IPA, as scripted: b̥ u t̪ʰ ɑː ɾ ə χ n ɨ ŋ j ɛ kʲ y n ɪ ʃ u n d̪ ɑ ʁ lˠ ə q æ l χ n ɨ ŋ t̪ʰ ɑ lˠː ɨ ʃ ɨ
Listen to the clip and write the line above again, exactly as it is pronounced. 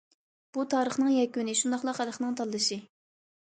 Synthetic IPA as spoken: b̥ u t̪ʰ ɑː ɾ ə χ n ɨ ŋ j ɛ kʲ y n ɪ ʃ u n d̪ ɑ χ lˠ ɑ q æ l χ n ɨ ŋ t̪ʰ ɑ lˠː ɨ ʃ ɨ